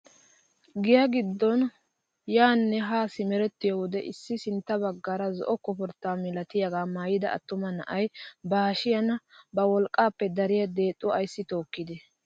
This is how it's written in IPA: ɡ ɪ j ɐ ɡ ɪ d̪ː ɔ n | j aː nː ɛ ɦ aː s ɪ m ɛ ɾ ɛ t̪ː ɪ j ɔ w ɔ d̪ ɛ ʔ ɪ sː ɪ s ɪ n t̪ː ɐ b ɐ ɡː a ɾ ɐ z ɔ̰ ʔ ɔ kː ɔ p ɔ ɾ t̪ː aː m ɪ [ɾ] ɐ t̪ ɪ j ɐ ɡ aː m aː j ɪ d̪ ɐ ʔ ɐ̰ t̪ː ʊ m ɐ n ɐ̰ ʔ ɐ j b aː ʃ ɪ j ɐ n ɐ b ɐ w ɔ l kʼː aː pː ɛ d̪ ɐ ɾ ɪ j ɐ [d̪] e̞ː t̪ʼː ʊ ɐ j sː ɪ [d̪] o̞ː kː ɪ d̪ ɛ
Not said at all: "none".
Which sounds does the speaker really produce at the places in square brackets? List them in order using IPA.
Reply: l, d̪, t̪

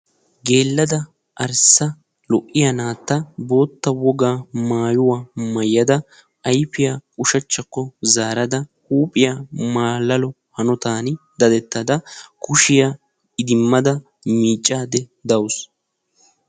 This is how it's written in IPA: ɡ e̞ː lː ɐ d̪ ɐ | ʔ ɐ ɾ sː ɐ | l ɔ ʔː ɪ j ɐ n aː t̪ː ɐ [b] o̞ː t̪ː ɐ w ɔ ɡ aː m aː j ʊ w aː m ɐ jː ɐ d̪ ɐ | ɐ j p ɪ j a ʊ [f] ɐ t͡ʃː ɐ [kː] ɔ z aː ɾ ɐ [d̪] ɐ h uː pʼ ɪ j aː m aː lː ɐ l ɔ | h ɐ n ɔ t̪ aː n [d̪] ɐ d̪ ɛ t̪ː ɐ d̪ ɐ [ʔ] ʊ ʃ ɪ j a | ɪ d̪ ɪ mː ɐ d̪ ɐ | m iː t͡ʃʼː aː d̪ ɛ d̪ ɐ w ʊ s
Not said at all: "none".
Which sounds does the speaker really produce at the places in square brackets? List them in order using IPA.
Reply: b, ʃ, kː, d̪, d̪, k

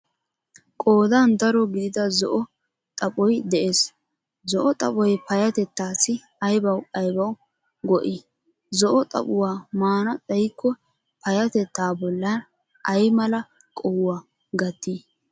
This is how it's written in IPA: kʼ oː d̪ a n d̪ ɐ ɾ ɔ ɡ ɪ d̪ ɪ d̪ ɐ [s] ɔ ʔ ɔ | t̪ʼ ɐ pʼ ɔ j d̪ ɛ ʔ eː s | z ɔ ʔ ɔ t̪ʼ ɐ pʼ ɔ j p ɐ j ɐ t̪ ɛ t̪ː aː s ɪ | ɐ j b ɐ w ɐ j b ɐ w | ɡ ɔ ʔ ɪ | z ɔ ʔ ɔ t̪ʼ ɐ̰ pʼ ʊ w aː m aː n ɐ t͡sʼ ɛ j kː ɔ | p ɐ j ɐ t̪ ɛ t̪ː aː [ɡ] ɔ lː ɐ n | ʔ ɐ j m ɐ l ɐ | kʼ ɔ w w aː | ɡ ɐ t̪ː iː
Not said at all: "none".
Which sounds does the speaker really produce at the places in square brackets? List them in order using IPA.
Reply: z, b

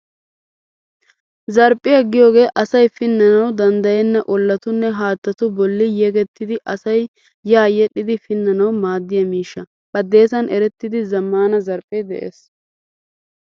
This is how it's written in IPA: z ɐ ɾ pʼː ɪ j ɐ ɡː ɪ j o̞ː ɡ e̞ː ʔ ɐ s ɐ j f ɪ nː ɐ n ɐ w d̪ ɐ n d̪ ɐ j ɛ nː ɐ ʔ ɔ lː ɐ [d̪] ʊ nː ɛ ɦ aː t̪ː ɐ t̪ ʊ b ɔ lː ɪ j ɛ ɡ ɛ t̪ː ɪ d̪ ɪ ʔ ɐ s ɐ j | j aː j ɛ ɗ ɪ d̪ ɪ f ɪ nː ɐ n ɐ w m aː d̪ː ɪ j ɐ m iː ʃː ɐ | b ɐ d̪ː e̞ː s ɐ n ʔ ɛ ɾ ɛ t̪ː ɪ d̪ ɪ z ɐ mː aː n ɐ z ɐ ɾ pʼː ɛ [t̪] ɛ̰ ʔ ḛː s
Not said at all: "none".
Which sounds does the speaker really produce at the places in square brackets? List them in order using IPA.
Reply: t̪, d̪

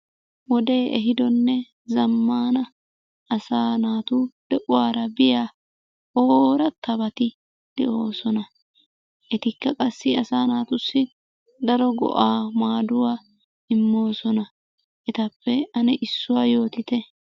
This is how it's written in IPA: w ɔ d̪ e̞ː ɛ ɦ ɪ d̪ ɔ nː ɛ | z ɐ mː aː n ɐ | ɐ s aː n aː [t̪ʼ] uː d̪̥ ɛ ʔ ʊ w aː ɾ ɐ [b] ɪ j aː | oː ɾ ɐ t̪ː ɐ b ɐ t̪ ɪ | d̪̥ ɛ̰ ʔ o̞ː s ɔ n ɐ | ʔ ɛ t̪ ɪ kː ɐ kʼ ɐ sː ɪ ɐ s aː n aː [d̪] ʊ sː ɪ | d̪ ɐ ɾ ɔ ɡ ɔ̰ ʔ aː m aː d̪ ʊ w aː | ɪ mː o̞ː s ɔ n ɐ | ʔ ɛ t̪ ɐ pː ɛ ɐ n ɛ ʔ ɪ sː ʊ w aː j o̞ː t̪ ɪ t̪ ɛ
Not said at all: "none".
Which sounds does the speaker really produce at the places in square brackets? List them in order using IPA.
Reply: t̪, b, t̪

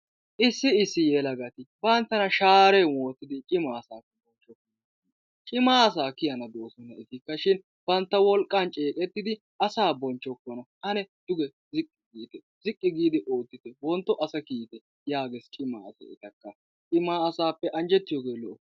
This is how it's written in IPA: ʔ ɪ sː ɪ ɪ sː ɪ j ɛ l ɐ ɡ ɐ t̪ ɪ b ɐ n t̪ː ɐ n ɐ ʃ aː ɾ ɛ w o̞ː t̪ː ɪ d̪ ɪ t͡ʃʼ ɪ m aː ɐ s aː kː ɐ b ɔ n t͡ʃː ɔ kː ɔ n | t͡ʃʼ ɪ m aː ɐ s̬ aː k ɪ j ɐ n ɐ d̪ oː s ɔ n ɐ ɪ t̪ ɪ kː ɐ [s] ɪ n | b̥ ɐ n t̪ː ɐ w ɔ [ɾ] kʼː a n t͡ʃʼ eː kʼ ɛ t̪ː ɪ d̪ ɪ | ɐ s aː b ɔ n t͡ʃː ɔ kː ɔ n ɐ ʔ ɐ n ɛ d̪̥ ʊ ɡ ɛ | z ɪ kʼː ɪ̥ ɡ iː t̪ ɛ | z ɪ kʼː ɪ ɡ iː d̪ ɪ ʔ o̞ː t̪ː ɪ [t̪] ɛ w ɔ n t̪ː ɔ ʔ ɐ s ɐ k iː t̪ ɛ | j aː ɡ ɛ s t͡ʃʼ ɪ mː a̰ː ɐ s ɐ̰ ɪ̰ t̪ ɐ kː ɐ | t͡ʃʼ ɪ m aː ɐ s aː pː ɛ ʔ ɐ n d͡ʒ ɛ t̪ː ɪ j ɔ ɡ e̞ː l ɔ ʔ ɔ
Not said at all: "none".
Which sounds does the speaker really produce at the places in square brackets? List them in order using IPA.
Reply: ʃ, l, t̪

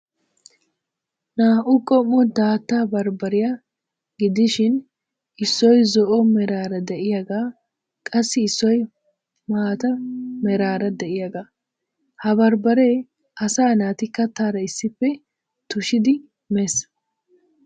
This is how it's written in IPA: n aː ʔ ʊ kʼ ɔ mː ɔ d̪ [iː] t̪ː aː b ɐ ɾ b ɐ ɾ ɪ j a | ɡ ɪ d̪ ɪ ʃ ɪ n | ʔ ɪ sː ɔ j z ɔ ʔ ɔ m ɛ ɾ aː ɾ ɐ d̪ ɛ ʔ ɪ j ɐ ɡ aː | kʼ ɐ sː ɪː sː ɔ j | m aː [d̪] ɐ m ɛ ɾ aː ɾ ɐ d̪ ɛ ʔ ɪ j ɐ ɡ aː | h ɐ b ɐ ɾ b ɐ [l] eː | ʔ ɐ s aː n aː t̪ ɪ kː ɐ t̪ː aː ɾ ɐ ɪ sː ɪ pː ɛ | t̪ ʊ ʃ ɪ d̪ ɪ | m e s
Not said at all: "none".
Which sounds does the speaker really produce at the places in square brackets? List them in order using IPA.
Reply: aː, t̪, ɾ

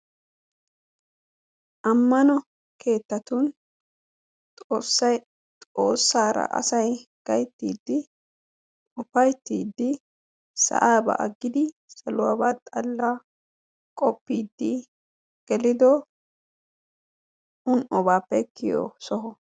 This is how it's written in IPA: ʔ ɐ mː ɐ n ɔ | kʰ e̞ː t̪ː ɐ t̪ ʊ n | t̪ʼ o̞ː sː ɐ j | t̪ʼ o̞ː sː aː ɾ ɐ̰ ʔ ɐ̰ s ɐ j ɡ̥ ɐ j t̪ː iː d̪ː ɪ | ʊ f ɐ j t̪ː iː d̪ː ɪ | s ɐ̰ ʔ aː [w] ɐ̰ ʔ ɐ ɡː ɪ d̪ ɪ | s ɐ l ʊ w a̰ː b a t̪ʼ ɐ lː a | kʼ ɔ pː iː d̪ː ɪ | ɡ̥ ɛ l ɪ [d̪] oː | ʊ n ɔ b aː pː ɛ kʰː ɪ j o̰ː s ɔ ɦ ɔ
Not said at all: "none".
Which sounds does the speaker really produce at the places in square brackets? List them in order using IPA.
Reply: b, d̪

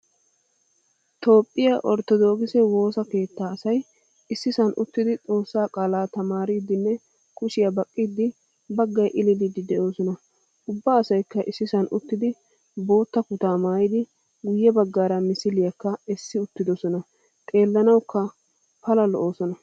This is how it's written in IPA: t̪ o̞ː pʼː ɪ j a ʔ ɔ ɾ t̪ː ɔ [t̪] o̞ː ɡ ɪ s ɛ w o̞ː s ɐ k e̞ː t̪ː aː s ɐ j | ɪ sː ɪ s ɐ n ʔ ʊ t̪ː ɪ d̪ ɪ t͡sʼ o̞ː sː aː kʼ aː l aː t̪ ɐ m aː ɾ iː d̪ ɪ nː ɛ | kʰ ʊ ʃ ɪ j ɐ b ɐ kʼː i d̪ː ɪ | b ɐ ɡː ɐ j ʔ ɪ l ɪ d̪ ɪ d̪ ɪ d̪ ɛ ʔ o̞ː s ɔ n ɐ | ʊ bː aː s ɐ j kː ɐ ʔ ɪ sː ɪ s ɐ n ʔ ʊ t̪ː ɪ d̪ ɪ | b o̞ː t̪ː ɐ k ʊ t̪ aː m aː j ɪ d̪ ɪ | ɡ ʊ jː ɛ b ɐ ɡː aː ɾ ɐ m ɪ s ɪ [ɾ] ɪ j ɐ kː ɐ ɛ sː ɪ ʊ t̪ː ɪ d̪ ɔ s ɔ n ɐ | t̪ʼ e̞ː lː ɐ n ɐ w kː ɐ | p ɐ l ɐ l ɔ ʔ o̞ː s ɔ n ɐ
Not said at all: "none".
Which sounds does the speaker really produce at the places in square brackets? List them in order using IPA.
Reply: d̪, l

